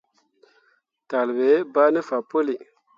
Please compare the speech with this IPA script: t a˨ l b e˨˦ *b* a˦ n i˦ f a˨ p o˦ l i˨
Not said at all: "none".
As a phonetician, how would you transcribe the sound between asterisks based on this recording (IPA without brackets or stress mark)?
b